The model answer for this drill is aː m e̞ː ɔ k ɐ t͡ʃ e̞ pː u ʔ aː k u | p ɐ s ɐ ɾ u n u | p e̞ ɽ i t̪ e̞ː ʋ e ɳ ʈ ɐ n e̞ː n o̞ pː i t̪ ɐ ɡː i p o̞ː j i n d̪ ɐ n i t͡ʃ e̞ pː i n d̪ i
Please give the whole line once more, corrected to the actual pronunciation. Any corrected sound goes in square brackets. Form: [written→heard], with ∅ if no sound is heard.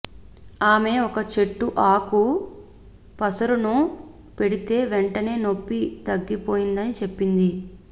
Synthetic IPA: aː m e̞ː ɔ k ɐ t͡ʃ e̞ [pː→ʈː] u ʔ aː k u | p ɐ s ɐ ɾ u n u | p e̞ ɽ i t̪ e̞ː ʋ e ɳ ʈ ɐ n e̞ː n o̞ pː i t̪ ɐ ɡː i p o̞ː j i n d̪ ɐ n i t͡ʃ e̞ pː i n d̪ i

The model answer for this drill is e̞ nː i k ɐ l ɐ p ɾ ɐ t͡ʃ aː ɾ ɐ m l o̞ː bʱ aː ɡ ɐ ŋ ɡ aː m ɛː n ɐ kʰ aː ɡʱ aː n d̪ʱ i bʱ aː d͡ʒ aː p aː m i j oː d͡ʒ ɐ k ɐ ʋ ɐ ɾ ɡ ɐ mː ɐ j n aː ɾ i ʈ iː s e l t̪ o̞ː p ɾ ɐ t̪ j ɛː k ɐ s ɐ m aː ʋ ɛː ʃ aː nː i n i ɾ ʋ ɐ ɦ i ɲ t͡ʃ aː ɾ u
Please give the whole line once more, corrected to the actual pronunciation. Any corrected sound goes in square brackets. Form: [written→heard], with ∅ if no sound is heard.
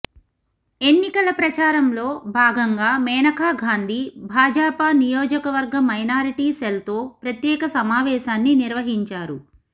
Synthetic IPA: e̞ nː i k ɐ l ɐ p ɾ ɐ t͡ʃ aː ɾ ɐ m l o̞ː bʱ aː ɡ ɐ ŋ ɡ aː m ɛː n ɐ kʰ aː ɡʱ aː n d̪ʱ i bʱ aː d͡ʒ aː p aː [m→n] i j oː d͡ʒ ɐ k ɐ ʋ ɐ ɾ ɡ ɐ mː ɐ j n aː ɾ i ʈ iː s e l t̪ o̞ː p ɾ ɐ t̪ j ɛː k ɐ s ɐ m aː ʋ ɛː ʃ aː nː i n i ɾ ʋ ɐ ɦ i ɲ t͡ʃ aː ɾ u

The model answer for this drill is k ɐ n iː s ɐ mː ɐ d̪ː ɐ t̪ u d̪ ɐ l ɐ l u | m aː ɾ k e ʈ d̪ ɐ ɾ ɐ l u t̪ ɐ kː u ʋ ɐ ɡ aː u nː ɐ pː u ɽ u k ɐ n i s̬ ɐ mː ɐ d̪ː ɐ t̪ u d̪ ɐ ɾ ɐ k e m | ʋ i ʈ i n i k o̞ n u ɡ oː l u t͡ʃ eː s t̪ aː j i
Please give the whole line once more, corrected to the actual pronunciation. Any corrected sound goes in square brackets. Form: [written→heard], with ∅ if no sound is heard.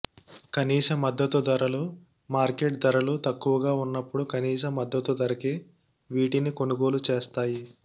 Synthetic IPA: k ɐ n iː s ɐ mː ɐ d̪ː ɐ t̪ u d̪ ɐ [l→ɾ] ɐ l u | m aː ɾ k e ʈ d̪ ɐ ɾ ɐ l u t̪ ɐ kː u ʋ ɐ ɡ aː u nː ɐ pː u ɽ u k ɐ n [i→iː] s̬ ɐ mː ɐ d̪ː ɐ t̪ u d̪ ɐ ɾ ɐ k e [m→∅] | ʋ [i→iː] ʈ i n i k o̞ n u ɡ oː l u t͡ʃ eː s t̪ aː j i

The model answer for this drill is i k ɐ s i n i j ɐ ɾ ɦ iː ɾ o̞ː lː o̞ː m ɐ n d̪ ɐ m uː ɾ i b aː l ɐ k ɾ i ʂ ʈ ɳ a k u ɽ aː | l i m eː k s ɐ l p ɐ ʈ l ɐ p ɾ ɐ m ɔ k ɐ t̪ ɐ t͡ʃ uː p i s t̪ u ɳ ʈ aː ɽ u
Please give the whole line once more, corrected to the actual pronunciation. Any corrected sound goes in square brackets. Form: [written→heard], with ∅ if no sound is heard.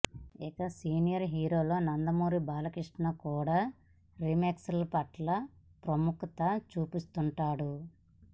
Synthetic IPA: i k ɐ s [i→iː] n i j ɐ ɾ ɦ iː ɾ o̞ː [lː→l] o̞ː [m→n] ɐ n d̪ ɐ m uː ɾ i b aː l ɐ k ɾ i ʂ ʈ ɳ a k [u→uː] ɽ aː | [l→ɾ] i m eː k s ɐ l p ɐ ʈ l ɐ p ɾ ɐ m [ɔ→u] k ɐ t̪ ɐ t͡ʃ uː p i s t̪ u ɳ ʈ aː ɽ u

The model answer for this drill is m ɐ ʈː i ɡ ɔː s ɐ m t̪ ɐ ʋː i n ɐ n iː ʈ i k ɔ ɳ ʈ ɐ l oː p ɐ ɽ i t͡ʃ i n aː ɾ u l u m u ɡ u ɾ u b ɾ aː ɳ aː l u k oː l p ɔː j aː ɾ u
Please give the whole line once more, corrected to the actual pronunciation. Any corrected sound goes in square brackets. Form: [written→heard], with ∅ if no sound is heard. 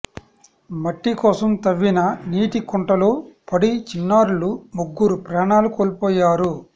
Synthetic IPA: m ɐ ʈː i [ɡ→k] ɔː s ɐ m t̪ ɐ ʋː i n ɐ n iː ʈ i k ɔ ɳ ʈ ɐ l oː p ɐ ɽ i t͡ʃ i [n→nː] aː ɾ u l u m u [ɡ→ɡː] u ɾ u [b→p] ɾ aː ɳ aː l u k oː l p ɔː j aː ɾ u

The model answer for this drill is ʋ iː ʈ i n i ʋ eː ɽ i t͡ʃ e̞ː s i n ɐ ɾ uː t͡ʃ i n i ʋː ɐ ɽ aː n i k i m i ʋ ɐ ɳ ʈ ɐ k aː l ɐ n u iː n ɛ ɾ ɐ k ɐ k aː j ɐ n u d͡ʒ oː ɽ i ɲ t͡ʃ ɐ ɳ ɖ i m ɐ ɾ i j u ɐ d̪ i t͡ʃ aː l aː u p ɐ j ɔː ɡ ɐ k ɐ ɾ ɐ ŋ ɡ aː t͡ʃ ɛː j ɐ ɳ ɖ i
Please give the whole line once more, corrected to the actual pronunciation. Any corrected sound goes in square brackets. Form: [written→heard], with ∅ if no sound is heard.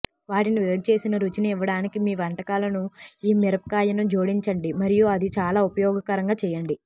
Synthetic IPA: ʋ [iː→aː] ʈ i n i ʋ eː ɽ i t͡ʃ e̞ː s i n ɐ ɾ [uː→u] t͡ʃ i n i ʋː ɐ ɽ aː n i k i m [i→iː] ʋ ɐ ɳ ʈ ɐ k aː l ɐ n u iː [n→m] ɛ ɾ ɐ [k→p] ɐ k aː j ɐ n u d͡ʒ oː ɽ i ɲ t͡ʃ ɐ ɳ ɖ i m ɐ ɾ i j u ɐ d̪ i t͡ʃ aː l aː u p ɐ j ɔː ɡ ɐ k ɐ ɾ ɐ ŋ ɡ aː t͡ʃ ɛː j ɐ ɳ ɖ i

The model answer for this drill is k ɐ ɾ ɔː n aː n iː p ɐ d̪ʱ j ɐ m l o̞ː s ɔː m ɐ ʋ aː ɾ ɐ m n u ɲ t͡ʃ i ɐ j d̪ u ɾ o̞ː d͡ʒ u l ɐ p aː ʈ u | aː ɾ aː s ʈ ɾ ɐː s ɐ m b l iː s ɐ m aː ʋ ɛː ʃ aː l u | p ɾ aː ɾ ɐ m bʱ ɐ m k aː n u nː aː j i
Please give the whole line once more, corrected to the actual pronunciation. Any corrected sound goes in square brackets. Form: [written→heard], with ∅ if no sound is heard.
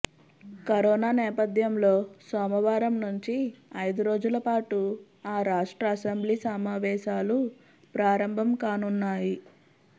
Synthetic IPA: k ɐ ɾ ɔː n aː n [iː→ɛː] p ɐ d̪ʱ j ɐ m l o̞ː s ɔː m ɐ ʋ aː ɾ ɐ m n u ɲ t͡ʃ i ɐ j d̪ u ɾ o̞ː d͡ʒ u l ɐ p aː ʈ u | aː ɾ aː [s→ʂ] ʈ ɾ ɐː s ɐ m b l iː s ɐ m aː ʋ ɛː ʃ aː l u | p ɾ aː ɾ ɐ m bʱ ɐ m k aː n u nː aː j i

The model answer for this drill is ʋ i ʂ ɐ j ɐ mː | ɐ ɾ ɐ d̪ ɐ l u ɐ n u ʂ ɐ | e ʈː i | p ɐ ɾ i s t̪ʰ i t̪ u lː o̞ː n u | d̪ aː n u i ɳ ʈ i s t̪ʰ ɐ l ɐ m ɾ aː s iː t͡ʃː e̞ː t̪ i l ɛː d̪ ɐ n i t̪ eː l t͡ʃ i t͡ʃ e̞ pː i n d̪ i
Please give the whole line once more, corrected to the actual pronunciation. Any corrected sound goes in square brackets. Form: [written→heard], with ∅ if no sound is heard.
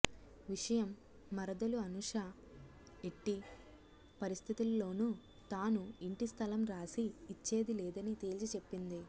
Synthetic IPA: ʋ i ʂ ɐ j ɐ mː | ɐ ɾ ɐ d̪ ɐ l u ɐ n u ʂ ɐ | e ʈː i | p ɐ ɾ i s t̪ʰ i t̪ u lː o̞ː n u | [d̪→t̪] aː n u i ɳ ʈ i s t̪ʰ ɐ l ɐ m ɾ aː s iː t͡ʃː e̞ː [t̪→d̪] i l ɛː d̪ ɐ n i t̪ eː l t͡ʃ i t͡ʃ e̞ pː i n d̪ i

